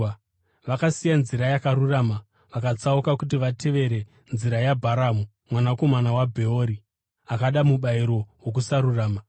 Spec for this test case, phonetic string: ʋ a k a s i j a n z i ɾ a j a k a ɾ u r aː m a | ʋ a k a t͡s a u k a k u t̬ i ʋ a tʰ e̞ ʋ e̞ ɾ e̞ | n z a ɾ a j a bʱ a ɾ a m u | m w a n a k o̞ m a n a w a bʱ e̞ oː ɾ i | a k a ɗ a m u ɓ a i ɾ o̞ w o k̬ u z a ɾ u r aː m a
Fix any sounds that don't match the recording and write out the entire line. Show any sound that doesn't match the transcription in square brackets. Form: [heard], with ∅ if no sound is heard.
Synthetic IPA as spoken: ʋ a k a s i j a n z i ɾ a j a k a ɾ u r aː m a | ʋ a k a t͡s a u k a k u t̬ i ʋ a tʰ e̞ ʋ e̞ ɾ e̞ | n z [i] ɾ a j a bʱ a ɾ a m u | m w a n a k o̞ m a n a w a bʱ e̞ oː ɾ i | a k a ɗ a m u ɓ a i ɾ o̞ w o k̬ u [s] a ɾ u r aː m a